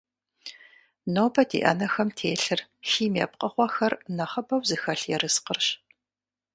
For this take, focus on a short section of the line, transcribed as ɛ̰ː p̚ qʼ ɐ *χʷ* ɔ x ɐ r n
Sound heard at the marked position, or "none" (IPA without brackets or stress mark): χʷ